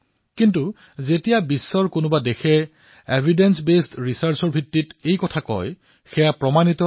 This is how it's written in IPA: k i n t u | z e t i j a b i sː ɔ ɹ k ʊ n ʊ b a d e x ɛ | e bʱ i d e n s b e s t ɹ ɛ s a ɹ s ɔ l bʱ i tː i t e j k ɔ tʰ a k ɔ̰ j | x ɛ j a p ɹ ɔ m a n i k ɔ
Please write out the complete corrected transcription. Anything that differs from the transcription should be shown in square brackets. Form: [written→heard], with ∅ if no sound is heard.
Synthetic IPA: k i n t u | z e t i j a b i sː ɔ ɹ k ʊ n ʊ b a d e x ɛ | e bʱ i d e n s b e s t ɹ [ɛ→i] s a ɹ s ɔ [l→ɹ] bʱ i tː i t e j k ɔ tʰ a k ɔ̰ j | x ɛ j a p ɹ ɔ m a n i [k→t] ɔ